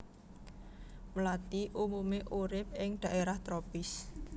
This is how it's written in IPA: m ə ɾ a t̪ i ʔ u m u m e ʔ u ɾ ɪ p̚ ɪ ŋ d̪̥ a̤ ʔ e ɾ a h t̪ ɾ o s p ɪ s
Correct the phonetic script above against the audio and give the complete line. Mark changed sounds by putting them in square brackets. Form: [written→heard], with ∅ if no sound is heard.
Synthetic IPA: m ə [ɾ→l] a t̪ i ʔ u m u m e ʔ u ɾ ɪ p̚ ɪ ŋ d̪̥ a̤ ʔ e ɾ a h t̪ ɾ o [s→∅] p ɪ s